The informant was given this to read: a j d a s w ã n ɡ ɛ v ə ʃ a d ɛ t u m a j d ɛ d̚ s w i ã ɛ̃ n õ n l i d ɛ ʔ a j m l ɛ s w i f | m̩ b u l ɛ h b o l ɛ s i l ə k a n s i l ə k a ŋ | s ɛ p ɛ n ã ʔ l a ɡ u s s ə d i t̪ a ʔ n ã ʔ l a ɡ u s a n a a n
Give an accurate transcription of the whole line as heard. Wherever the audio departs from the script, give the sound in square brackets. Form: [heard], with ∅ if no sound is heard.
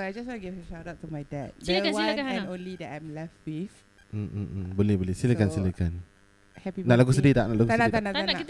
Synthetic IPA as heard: a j [d͡ʒ] a s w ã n ɡ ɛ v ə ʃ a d [a] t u m a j d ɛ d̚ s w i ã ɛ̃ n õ n l i d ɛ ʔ a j m l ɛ [f] w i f | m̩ b [o] l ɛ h b o l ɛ s i l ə k a n s i l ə k a [n] | [h] ɛ p [i] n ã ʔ l a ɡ u s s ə d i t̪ a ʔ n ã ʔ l a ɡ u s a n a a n